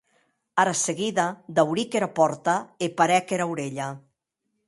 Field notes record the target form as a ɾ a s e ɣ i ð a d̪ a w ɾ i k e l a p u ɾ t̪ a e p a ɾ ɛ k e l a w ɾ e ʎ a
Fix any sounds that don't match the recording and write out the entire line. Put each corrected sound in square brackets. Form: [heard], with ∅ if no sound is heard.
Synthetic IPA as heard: a ɾ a s e ɣ i ð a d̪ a w ɾ i k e [ɾ] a p [ɔ] ɾ t̪ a e p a ɾ ɛ k e [ɾ] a w ɾ e ʎ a